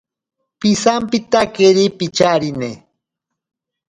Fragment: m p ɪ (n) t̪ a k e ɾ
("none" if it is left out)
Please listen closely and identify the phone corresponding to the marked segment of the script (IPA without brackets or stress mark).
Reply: none